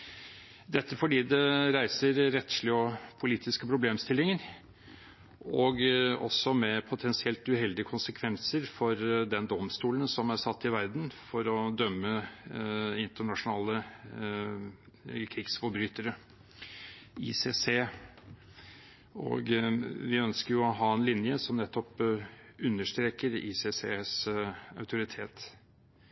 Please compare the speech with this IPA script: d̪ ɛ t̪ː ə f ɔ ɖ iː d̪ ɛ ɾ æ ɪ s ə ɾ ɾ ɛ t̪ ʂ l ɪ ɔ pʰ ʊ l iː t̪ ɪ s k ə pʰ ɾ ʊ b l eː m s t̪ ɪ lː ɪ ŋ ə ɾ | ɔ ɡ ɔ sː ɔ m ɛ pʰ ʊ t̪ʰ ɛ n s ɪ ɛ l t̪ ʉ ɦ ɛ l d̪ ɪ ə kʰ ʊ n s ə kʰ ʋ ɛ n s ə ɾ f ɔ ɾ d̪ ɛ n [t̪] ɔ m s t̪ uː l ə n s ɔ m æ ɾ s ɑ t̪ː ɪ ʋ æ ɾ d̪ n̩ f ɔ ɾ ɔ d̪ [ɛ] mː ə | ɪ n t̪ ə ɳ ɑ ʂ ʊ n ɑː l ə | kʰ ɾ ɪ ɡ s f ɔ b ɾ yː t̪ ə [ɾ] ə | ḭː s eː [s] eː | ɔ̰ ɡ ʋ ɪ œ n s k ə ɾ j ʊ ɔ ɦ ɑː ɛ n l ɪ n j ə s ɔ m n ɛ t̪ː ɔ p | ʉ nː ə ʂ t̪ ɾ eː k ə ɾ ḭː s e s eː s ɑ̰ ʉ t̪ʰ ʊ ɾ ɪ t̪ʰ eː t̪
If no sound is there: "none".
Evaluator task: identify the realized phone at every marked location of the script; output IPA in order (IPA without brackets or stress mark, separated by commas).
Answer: d̪, œ, ɾ, s